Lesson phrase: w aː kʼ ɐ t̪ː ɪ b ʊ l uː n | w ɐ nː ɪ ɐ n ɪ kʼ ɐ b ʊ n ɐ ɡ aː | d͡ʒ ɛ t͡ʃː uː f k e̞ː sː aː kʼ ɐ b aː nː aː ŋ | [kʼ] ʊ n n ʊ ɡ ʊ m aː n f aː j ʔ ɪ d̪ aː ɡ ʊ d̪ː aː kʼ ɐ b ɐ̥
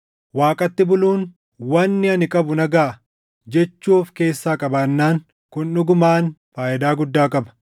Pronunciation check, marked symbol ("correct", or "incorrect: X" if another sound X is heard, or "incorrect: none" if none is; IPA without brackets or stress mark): incorrect: k